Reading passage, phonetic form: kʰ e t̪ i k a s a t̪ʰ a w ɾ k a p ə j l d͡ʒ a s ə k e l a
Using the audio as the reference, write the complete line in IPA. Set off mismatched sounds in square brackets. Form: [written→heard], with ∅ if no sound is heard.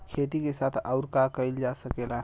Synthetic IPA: kʰ e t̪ i k [a→e] s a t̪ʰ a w ɾ k a [p→k] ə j l d͡ʒ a s ə k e l a

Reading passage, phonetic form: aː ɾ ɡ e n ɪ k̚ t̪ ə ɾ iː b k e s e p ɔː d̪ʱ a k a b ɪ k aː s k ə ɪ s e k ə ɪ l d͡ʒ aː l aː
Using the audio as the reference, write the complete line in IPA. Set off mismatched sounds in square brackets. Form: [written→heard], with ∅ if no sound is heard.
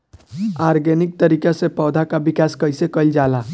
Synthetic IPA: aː ɾ ɡ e n ɪ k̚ t̪ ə ɾ iː [b→∅] k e s e p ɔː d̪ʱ a k a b ɪ k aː s k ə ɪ s e k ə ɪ l d͡ʒ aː l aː

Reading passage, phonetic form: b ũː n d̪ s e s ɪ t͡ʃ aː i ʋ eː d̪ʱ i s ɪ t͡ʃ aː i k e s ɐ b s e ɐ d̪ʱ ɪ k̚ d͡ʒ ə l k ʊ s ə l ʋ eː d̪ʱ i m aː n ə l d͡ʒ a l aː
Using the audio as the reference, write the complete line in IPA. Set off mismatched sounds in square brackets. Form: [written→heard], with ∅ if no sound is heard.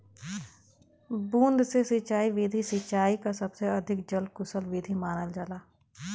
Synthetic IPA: b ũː n d̪ s e s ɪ t͡ʃ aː i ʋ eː d̪ʱ i s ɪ t͡ʃ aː i k [e→a] s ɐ b s e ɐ d̪ʱ ɪ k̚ d͡ʒ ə l k ʊ s ə l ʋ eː d̪ʱ i m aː n ə l d͡ʒ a l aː

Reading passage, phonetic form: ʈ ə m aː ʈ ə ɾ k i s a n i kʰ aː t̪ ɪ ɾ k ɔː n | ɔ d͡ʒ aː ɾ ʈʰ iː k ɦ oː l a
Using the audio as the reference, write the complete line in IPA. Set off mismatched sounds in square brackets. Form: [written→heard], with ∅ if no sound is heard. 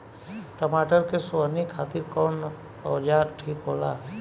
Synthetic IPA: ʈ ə m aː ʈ ə ɾ k [i→e] s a n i kʰ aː t̪ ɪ ɾ k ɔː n | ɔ d͡ʒ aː ɾ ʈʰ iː k ɦ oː l a

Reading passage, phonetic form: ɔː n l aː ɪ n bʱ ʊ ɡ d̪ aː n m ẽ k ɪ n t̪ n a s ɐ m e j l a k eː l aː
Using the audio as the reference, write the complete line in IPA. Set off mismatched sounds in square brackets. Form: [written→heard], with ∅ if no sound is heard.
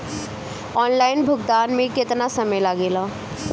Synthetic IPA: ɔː n l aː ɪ n bʱ ʊ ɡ d̪ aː n m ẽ k ɪ [n→∅] t̪ n a s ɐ m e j l a [k→ɡ] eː l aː

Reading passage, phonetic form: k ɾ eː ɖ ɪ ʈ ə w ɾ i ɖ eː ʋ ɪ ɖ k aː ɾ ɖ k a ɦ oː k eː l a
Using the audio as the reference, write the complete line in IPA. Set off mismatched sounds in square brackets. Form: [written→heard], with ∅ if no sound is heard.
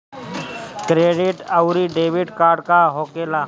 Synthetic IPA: k ɾ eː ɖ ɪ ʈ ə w ɾ i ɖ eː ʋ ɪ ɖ k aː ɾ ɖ k a ɦ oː k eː l a

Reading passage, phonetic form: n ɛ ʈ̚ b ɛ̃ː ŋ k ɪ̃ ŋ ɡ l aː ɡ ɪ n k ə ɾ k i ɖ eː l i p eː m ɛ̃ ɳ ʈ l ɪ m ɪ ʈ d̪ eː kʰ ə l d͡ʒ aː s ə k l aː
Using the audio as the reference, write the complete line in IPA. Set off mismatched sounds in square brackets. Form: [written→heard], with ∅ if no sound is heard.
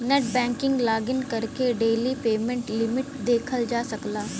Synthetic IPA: n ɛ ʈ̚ b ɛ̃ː ŋ k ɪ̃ ŋ ɡ l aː ɡ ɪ n k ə ɾ k [i→e] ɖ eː l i p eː m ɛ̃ ɳ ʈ l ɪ m ɪ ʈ d̪ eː kʰ ə l d͡ʒ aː s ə k l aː

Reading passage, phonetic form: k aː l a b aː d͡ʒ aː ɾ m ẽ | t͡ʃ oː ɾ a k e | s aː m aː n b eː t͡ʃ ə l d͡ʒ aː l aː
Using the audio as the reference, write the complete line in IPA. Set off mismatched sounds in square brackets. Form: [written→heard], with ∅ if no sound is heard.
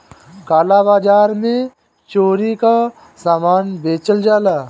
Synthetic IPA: k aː l a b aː d͡ʒ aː ɾ m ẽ | t͡ʃ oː ɾ [a→i] k [e→a] | s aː m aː n b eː t͡ʃ ə l d͡ʒ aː l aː

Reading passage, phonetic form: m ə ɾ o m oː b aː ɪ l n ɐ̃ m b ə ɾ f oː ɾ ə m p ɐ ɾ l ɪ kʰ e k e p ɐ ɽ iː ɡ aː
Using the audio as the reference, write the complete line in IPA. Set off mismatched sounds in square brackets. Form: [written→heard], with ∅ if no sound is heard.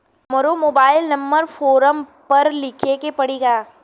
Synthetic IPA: m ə ɾ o m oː b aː ɪ l n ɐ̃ m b ə ɾ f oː ɾ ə m p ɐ ɾ l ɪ kʰ e k e p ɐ ɽ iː ɡ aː

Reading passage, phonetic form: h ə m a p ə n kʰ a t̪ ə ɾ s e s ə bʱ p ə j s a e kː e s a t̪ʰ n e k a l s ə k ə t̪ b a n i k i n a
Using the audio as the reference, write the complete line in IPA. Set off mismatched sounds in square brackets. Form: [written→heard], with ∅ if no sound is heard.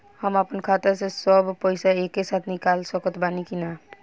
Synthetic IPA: h ə m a p ə n kʰ a t̪ ə ɾ s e s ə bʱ p ə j s a e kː e s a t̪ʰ n [e→i] k a l s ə k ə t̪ b a n i k i n a

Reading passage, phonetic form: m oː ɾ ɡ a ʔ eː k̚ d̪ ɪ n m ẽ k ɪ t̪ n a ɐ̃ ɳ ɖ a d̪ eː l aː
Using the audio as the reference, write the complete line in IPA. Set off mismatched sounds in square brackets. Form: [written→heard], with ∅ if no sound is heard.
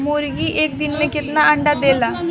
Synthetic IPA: m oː ɾ ɡ [a→i] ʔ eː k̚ d̪ ɪ n m ẽ k ɪ t̪ n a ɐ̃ ɳ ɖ a d̪ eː l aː

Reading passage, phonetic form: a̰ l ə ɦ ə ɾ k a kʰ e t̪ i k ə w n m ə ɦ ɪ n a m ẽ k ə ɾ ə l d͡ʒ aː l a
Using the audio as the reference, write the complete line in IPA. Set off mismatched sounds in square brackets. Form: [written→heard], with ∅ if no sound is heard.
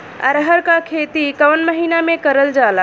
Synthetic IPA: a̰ [l→ɾ] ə ɦ ə ɾ k a kʰ e t̪ i k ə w n m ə ɦ [ɪ→i] n a m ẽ k ə ɾ ə l d͡ʒ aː l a

